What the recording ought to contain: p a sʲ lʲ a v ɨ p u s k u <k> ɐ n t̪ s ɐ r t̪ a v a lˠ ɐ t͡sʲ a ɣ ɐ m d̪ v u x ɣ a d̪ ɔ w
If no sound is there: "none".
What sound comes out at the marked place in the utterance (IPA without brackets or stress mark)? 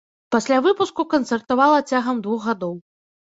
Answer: k